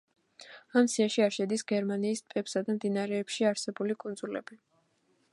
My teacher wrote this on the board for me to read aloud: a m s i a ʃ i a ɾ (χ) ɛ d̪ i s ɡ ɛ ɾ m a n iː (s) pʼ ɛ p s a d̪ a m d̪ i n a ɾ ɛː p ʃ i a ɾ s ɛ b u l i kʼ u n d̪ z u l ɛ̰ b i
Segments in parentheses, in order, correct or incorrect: incorrect, correct

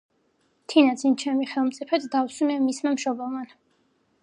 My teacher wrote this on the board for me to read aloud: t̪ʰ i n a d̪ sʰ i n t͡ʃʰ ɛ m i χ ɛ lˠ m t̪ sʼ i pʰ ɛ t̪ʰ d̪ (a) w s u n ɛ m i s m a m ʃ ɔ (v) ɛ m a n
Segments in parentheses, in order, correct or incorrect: correct, incorrect

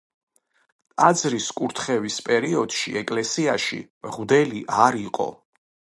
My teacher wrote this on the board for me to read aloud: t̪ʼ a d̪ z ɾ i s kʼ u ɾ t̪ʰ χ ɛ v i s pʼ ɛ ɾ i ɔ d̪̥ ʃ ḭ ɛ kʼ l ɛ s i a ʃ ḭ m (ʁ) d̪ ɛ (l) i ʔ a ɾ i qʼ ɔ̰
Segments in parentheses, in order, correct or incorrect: correct, correct

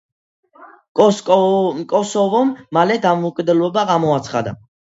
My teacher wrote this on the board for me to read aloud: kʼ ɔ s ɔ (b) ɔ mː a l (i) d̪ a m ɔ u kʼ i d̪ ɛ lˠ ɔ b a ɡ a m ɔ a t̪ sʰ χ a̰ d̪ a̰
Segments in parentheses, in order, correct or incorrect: incorrect, incorrect

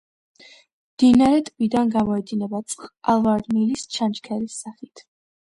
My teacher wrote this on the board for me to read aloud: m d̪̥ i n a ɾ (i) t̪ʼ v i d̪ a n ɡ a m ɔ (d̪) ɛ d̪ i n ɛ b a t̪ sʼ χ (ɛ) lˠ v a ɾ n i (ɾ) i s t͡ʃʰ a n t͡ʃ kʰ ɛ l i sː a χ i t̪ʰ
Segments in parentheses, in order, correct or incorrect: incorrect, incorrect, incorrect, incorrect

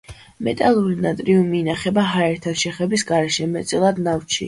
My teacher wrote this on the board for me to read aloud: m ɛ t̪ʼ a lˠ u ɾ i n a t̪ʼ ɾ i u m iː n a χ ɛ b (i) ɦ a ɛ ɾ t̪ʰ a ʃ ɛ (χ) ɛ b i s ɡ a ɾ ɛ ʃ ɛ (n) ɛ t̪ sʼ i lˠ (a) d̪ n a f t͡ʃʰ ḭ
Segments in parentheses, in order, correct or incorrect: incorrect, correct, incorrect, correct

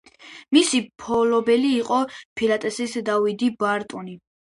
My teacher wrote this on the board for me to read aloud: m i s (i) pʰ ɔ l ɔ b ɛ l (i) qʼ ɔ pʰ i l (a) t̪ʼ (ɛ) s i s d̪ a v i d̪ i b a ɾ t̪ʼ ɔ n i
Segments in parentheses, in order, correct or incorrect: correct, incorrect, correct, correct

